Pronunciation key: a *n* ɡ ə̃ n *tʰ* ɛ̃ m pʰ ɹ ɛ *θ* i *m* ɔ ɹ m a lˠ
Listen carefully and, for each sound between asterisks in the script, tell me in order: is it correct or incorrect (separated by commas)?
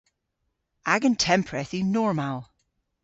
incorrect, correct, correct, incorrect